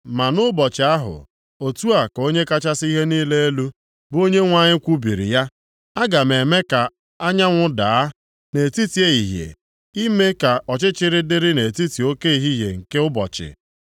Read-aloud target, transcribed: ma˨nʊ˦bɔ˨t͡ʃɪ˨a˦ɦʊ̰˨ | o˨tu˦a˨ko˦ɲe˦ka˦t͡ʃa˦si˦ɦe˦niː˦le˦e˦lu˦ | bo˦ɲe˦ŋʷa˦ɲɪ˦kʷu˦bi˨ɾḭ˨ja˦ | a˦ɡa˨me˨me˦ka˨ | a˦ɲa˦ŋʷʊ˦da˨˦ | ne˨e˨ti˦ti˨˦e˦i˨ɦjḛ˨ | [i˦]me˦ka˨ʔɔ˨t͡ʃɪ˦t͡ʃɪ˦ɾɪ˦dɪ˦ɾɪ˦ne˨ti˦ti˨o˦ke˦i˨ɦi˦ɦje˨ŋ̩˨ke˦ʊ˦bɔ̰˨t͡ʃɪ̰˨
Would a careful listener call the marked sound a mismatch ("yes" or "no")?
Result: no